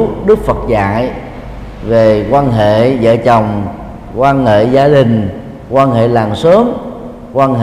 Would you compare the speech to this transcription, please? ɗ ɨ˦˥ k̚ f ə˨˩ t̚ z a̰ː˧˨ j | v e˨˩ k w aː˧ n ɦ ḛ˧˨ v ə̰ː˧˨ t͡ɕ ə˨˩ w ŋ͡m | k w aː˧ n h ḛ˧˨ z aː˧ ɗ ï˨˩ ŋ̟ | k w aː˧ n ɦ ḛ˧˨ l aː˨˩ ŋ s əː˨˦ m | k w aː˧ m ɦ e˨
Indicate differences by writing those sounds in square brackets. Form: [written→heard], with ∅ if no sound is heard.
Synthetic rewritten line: ɗ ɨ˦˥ k̚ f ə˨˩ t̚ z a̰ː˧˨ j | v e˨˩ k w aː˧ n ɦ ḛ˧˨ [v→z] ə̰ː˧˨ t͡ɕ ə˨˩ w ŋ͡m | k w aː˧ n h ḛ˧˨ z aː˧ ɗ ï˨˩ ŋ̟ | k w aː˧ n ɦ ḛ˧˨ l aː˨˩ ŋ s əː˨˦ m | k w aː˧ [m→n] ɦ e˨